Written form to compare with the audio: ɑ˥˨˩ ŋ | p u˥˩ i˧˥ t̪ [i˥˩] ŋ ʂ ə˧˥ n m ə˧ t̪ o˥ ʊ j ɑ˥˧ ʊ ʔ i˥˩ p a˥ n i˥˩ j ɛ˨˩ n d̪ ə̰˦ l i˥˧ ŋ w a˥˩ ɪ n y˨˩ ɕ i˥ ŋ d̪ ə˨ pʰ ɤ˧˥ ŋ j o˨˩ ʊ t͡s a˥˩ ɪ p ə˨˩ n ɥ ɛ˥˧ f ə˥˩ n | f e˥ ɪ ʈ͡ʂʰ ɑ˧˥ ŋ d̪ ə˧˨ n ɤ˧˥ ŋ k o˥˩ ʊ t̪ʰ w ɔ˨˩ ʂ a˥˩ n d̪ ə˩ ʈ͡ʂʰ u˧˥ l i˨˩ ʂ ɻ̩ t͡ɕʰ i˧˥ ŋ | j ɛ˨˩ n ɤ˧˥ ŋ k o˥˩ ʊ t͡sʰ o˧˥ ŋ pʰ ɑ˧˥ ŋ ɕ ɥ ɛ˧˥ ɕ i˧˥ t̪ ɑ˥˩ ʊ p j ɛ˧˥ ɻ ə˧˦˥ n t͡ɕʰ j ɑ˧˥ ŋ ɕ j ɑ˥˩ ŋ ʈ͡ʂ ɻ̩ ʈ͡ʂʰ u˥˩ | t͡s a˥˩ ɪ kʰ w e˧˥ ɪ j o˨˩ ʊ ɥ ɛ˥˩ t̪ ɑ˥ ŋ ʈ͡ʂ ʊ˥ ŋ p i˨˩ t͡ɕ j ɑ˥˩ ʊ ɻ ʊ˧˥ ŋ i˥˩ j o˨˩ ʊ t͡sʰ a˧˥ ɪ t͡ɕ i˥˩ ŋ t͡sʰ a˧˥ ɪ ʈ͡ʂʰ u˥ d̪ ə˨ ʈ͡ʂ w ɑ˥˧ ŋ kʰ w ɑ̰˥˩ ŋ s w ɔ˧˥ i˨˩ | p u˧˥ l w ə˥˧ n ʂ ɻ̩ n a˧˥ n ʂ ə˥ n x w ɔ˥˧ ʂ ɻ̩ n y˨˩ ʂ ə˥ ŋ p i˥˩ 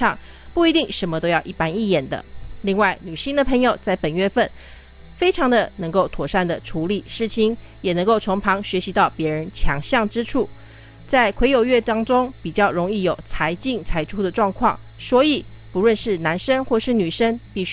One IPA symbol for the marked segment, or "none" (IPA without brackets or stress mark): i˥˩